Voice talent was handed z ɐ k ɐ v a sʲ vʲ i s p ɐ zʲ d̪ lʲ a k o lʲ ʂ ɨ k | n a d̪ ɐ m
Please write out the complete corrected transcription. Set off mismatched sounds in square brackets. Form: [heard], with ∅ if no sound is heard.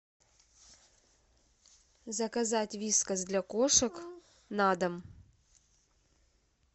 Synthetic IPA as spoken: z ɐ k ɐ [z] a [tʲ] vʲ i s [k] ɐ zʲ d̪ lʲ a k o [∅] ʂ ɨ k | n a d̪ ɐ m